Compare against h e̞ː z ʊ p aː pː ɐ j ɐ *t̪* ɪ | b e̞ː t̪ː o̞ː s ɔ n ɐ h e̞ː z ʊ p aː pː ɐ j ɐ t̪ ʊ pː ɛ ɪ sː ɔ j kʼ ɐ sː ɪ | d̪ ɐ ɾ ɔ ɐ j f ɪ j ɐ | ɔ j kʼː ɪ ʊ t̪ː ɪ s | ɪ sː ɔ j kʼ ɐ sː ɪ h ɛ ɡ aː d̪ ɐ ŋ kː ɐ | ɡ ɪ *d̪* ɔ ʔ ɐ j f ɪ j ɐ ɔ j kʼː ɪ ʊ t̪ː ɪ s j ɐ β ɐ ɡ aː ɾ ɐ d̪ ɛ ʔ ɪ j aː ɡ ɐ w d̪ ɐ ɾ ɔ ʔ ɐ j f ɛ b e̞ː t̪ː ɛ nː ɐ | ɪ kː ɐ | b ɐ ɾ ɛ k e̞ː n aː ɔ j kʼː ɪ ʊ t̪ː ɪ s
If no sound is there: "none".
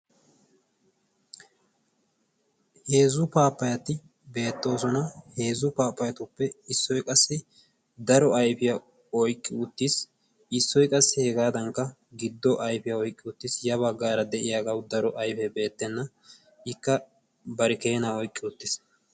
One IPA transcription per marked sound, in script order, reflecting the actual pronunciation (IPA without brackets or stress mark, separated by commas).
t̪, d̪ː